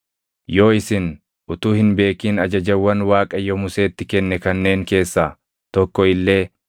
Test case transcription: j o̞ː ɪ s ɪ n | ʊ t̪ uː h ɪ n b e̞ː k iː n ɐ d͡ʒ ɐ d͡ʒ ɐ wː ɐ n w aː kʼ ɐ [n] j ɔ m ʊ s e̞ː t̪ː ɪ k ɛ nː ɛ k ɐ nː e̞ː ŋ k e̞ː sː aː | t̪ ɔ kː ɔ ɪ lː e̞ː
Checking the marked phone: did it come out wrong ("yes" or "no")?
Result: yes